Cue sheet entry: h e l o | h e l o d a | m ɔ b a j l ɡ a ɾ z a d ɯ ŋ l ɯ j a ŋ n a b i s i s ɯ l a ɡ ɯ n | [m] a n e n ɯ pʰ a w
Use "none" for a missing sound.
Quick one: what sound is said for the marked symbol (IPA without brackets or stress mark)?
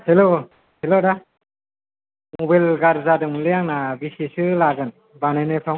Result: b